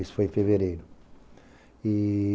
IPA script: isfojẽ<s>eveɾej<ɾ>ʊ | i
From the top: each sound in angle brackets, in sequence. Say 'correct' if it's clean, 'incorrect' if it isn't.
incorrect, correct

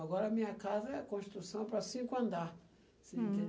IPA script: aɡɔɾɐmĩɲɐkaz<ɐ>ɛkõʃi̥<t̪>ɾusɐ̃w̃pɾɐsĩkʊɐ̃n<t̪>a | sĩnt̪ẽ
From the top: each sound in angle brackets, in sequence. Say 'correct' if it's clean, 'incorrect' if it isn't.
correct, correct, incorrect

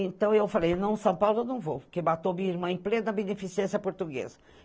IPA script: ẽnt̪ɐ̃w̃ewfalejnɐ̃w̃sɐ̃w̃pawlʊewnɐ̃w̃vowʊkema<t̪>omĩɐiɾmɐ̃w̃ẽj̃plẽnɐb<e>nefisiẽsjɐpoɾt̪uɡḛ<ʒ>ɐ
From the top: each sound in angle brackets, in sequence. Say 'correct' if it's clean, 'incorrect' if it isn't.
correct, correct, incorrect

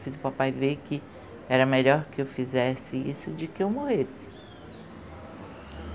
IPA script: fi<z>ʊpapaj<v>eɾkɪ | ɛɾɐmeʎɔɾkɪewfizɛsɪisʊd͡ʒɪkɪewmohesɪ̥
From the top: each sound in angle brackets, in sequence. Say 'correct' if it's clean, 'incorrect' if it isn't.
correct, correct

